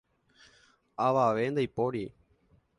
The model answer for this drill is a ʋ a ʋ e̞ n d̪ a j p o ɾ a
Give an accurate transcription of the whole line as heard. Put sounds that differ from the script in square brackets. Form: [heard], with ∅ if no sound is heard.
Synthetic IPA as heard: a ʋ a ʋ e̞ n d̪ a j p o ɾ [i]